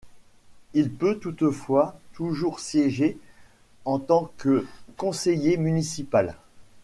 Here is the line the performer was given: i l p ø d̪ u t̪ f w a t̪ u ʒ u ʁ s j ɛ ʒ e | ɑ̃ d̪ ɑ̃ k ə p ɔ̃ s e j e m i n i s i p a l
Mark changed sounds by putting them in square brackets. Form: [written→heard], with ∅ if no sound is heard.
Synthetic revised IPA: i l p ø [d̪→t̪] u t̪ f w a t̪ u ʒ u ʁ s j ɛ ʒ e | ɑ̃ [d̪→t̪] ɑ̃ k ə [p→k] ɔ̃ s e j e m [i→y] n i s i p a l